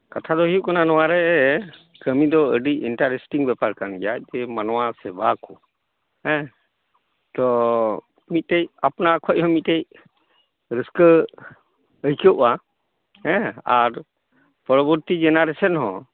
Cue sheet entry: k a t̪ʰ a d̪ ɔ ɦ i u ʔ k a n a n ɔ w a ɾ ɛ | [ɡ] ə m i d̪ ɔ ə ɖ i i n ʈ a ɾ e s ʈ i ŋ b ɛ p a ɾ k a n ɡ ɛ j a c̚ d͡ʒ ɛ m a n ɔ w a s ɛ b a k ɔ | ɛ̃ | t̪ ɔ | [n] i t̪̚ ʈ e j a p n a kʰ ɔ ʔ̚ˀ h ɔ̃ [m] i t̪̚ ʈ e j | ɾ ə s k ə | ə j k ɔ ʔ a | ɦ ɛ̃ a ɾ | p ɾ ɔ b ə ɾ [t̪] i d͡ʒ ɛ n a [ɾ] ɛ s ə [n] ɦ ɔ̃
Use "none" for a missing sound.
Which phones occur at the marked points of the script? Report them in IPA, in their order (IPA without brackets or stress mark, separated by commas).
k, m, m, t̪, ɾ, n